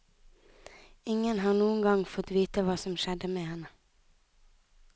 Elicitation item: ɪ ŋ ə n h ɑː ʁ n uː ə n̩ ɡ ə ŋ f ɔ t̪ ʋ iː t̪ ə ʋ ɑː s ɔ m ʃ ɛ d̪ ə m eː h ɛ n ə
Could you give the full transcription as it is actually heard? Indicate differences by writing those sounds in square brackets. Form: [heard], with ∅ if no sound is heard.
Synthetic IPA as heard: ɪ ŋ ə n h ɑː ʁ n uː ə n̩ ɡ [ɑ] ŋ f ɔ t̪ ʋ iː t̪ ə ʋ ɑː s ɔ m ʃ ɛ d̪ ə m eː h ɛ n ə